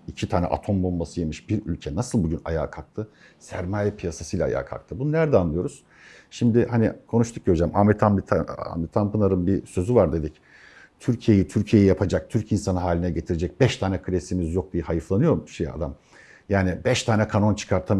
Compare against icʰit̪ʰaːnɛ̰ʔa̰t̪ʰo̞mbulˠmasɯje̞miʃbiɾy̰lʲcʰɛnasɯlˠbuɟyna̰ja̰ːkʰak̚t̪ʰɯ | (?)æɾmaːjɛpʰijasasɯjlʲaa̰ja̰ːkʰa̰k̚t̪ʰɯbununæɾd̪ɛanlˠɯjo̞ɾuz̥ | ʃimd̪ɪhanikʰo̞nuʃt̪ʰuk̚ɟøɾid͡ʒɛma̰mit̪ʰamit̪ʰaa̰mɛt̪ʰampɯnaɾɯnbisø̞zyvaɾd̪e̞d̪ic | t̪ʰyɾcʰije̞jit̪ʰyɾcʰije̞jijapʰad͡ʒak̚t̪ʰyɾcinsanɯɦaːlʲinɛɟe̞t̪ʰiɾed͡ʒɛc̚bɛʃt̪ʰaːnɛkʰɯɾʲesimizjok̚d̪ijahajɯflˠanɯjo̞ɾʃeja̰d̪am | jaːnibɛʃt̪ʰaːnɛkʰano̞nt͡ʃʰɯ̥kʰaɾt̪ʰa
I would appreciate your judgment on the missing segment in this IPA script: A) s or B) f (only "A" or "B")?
A